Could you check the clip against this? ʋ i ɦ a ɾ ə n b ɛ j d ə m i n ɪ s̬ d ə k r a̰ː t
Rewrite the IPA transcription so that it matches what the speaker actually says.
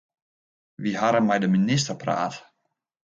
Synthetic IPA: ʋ i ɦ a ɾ ə n m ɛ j d ə m i n ɪ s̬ t ə p r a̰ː t